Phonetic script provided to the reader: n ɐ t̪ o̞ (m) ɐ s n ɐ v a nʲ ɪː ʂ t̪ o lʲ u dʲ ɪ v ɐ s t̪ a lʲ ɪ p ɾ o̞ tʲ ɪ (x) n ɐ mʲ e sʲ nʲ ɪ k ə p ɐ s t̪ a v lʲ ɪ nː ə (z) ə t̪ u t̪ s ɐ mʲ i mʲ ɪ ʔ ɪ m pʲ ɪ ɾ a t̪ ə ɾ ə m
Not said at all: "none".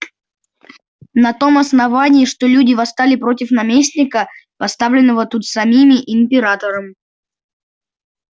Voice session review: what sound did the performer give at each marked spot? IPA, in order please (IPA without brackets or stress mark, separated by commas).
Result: m, f, v